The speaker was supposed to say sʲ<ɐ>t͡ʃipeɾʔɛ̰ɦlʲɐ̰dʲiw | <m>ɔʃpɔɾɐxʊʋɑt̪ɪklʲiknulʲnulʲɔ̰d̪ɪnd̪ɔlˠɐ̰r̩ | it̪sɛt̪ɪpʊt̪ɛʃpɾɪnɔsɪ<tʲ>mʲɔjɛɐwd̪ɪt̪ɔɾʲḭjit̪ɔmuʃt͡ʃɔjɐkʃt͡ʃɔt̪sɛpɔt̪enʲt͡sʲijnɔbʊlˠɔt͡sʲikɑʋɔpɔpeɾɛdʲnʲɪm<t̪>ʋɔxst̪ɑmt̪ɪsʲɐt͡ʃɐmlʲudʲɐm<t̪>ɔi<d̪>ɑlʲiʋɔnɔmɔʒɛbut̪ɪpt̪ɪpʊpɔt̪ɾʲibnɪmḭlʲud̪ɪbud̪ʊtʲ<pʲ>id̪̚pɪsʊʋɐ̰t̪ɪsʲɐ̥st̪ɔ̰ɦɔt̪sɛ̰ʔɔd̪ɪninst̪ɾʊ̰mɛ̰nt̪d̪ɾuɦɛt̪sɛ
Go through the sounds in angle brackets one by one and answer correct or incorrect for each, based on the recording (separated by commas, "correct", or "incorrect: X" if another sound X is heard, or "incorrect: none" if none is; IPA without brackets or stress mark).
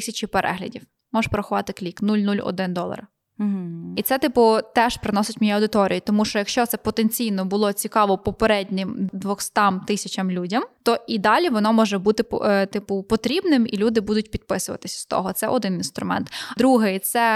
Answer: correct, correct, correct, incorrect: d̪, correct, correct, correct